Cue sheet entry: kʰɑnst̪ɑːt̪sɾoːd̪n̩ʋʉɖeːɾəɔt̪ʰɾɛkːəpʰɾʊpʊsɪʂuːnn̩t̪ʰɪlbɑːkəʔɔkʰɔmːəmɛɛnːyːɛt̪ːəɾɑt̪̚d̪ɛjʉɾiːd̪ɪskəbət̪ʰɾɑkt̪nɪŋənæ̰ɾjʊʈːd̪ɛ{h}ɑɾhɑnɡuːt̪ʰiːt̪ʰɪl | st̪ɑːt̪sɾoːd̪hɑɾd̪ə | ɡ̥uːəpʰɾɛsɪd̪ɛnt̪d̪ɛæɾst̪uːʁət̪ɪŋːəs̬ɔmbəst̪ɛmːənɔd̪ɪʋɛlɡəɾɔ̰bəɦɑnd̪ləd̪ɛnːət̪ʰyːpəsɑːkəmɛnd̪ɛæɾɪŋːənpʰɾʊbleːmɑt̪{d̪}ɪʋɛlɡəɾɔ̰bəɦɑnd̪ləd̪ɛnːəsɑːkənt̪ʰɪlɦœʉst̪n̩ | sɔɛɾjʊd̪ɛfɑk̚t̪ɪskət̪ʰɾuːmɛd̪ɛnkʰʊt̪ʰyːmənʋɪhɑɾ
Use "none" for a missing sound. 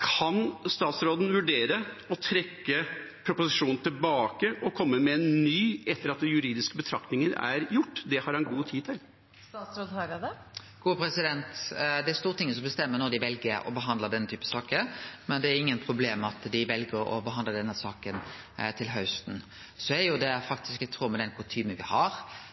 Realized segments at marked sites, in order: h, d̪

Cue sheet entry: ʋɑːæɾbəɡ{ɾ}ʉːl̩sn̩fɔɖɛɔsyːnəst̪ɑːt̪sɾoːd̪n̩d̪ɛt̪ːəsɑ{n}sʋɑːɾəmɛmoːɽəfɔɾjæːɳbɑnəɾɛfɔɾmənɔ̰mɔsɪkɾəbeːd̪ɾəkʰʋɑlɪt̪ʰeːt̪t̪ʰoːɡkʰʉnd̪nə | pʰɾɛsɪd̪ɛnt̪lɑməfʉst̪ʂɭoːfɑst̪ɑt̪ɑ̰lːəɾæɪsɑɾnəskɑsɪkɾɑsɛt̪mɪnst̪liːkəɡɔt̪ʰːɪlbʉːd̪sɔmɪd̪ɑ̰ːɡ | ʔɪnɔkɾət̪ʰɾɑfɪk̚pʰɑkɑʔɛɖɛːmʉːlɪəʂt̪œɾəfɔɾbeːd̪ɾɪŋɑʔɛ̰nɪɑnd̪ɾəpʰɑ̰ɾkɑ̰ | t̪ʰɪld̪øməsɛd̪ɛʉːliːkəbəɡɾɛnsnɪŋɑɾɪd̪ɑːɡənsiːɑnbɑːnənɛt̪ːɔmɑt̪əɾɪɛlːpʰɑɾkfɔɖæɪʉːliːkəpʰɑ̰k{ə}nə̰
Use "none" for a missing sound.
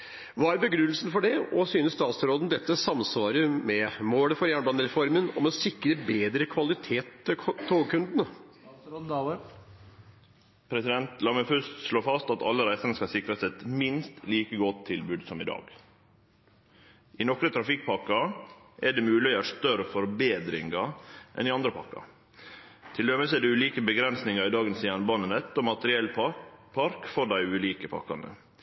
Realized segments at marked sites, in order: ɾ, m, ɑ

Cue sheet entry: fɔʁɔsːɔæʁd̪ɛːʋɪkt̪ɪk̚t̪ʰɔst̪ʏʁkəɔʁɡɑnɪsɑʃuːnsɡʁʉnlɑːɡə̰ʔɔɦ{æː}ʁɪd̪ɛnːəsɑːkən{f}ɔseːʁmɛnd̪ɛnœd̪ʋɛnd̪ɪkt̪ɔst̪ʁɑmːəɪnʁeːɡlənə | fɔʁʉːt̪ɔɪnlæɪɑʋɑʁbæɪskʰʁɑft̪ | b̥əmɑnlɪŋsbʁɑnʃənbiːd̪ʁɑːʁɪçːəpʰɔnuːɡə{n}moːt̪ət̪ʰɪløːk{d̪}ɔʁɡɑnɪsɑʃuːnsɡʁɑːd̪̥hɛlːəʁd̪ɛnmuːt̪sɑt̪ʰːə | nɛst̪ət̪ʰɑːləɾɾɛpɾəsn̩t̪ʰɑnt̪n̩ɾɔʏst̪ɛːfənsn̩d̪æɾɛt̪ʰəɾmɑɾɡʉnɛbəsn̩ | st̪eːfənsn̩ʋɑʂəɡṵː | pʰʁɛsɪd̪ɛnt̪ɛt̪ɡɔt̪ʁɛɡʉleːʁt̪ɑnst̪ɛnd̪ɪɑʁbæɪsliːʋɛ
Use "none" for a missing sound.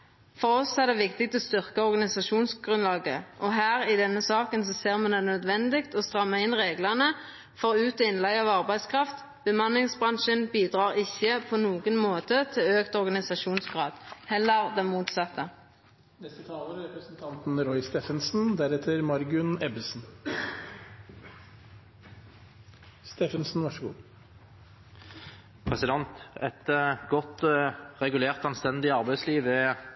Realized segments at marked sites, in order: æː, s, n, t̪

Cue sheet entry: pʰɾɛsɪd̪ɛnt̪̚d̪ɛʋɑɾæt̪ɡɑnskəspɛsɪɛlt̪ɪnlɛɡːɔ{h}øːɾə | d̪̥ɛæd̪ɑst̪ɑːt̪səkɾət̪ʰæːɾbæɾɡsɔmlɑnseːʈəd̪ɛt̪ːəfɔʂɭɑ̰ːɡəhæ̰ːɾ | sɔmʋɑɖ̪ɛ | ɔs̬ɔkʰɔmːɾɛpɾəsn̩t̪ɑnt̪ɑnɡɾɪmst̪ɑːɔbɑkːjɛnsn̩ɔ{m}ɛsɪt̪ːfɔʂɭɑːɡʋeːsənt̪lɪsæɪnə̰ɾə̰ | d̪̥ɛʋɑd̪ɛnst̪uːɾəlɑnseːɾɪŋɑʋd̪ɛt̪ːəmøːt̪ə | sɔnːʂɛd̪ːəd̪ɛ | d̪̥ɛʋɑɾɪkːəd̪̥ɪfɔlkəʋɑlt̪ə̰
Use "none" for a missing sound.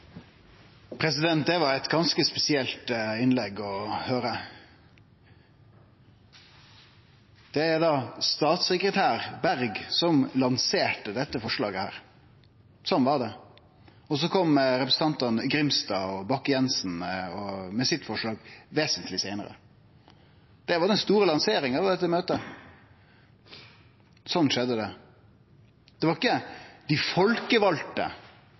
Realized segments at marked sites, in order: h, m

